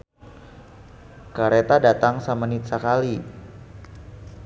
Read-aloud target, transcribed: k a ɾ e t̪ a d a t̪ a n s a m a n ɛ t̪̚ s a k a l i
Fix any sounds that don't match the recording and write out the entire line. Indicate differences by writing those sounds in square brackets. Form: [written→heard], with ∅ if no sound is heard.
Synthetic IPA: k a ɾ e t̪ a d a t̪ a [n→ŋ] s a m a n [ɛ→i] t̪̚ s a k a l i